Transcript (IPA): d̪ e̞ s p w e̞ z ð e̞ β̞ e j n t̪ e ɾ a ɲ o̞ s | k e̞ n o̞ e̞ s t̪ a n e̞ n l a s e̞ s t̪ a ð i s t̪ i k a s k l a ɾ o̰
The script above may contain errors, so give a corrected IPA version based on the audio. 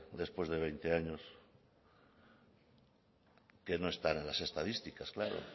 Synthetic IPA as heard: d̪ e̞ s p w e̞ z ð e̞ β̞ e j n t̪ e a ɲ o̞ s | k e̞ n o̞ e̞ s t̪ a n e̞ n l a s e̞ s t̪ a ð i s t̪ i k a s k l a ɾ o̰